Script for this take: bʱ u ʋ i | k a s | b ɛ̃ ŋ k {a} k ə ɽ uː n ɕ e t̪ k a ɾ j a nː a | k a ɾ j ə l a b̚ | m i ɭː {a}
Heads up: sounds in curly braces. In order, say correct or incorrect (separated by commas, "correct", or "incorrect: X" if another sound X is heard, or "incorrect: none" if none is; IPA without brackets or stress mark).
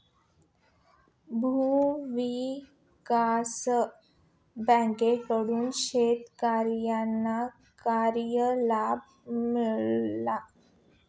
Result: incorrect: e, correct